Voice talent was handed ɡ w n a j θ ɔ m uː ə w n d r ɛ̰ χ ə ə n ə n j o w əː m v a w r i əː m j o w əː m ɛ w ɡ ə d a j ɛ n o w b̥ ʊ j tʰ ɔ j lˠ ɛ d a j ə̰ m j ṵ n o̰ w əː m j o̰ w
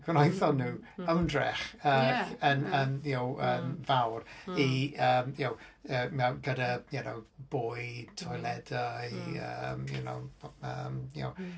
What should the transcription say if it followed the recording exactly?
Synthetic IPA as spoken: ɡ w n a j θ ɔ n uː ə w n d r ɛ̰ χ ə ə n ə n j o w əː m v a w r i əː m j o w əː m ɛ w ɡ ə d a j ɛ n o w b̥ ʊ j tʰ ɔ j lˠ ɛ d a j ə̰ m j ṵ n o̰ w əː m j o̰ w